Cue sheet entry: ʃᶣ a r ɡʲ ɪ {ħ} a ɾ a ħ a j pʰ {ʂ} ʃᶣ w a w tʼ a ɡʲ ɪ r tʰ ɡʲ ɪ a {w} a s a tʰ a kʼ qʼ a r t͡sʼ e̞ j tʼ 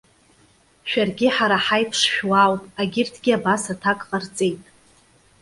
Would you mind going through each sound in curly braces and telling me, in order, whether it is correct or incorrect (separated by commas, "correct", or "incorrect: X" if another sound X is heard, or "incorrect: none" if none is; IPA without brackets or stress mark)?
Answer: correct, correct, incorrect: b